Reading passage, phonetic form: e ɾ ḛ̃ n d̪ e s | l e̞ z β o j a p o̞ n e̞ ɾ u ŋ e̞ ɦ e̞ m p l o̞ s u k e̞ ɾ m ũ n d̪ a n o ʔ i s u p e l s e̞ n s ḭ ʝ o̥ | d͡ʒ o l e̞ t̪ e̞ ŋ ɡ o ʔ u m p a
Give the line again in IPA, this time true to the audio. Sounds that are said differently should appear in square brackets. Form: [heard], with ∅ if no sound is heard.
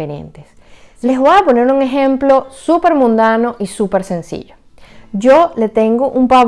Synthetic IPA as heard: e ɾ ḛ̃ n [t̪] e s | l e̞ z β o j a p o̞ n e̞ ɾ u ŋ e̞ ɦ e̞ m p l o̞ s u [p] e̞ ɾ m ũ n d̪ a n o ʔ i s u p e [ɾ] s e̞ n s ḭ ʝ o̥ | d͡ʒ o l e̞ t̪ e̞ ŋ ɡ o ʔ u m p a